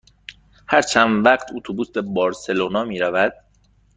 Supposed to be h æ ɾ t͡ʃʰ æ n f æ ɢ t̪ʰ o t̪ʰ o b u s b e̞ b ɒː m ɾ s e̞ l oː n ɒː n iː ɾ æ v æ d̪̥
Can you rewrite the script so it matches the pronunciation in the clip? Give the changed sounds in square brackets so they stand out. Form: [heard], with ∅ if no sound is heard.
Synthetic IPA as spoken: h æ ɾ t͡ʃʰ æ n [v] æ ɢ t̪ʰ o t̪ʰ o b u s b e̞ b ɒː [∅] ɾ s e̞ l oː n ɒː [m] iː ɾ æ v æ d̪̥